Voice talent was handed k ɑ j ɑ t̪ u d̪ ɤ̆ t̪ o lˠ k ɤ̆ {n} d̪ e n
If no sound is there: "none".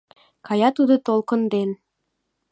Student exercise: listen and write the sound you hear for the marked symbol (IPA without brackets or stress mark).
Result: n